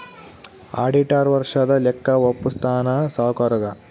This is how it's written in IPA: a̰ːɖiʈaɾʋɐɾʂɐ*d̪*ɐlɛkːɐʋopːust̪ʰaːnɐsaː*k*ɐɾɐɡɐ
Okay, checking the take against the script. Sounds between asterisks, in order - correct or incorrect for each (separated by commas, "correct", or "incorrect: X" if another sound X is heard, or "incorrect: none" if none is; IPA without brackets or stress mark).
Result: correct, correct